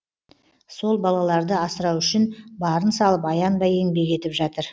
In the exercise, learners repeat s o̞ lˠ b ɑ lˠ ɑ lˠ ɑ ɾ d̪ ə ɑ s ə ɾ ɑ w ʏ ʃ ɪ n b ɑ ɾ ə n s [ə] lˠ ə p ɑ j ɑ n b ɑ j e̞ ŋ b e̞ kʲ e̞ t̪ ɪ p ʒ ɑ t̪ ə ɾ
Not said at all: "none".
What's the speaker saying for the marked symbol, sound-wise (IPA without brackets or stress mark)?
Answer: ɑ